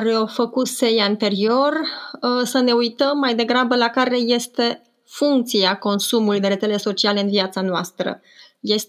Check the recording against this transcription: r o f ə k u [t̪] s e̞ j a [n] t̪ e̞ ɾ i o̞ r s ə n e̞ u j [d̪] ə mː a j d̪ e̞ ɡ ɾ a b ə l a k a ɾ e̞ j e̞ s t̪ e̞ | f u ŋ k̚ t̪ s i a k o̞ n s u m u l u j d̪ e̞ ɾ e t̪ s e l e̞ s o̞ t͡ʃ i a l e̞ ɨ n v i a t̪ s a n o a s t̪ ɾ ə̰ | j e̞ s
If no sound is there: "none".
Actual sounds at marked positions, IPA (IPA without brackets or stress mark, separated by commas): t̪, n, t̪